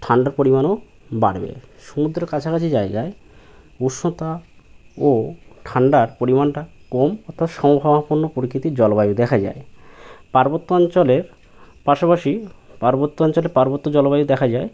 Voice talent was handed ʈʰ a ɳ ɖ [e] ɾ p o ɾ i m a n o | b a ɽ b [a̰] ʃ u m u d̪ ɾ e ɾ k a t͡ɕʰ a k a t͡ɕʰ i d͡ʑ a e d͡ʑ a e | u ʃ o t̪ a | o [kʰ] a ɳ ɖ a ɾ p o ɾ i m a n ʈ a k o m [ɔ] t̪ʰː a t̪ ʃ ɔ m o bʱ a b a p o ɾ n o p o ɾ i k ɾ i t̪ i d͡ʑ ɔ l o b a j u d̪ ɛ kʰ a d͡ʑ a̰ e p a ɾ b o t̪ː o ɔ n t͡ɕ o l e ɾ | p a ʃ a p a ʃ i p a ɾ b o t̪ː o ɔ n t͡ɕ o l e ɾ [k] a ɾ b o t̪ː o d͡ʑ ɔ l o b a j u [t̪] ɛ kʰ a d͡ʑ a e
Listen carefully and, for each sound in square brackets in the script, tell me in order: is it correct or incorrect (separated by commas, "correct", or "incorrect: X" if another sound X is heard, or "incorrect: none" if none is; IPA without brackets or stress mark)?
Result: incorrect: a, incorrect: ḛ, incorrect: ʈʰ, correct, incorrect: p, incorrect: d̪